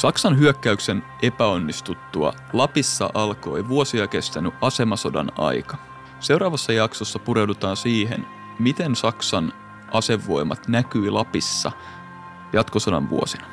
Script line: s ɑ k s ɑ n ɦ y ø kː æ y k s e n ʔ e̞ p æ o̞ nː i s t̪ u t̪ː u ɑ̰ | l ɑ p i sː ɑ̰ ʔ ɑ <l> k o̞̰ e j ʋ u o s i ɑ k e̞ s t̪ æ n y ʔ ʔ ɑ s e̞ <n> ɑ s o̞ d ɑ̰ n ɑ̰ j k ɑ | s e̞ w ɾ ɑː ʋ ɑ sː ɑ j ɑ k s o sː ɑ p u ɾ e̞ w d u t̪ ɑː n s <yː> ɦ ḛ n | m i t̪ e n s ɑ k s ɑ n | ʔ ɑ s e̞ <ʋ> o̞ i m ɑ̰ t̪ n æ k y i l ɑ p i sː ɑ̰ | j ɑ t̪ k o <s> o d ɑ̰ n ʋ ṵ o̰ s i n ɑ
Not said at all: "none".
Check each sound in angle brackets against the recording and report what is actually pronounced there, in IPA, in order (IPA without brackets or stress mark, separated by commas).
l, m, iː, ʋː, s